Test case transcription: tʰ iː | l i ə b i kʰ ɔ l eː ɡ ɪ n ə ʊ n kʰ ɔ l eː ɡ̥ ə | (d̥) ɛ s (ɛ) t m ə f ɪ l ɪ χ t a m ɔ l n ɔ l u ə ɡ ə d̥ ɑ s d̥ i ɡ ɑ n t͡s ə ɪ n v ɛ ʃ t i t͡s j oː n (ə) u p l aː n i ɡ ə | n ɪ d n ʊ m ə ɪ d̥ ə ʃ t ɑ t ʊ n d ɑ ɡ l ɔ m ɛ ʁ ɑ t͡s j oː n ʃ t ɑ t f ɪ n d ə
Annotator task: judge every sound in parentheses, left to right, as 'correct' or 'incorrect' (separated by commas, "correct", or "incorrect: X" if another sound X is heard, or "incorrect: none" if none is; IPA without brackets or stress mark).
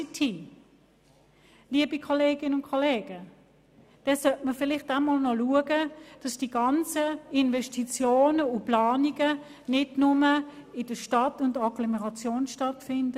correct, incorrect: œ, correct